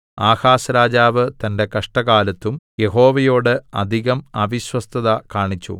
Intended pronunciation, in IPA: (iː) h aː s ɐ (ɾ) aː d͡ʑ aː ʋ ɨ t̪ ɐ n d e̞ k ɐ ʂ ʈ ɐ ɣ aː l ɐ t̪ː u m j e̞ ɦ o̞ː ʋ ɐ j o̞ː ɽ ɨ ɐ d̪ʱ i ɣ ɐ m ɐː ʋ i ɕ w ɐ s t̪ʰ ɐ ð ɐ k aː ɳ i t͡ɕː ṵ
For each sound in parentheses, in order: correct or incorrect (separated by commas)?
incorrect, correct